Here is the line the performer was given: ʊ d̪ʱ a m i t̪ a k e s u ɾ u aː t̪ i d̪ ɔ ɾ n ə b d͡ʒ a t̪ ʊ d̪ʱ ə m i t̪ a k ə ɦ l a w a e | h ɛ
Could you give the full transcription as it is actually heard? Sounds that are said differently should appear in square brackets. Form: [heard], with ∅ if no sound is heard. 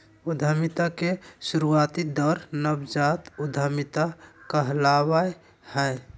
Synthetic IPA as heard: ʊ d̪ʱ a m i t̪ a k e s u ɾ u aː t̪ i d̪ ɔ ɾ n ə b d͡ʒ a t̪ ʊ d̪ʱ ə m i t̪ a k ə ɦ l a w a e | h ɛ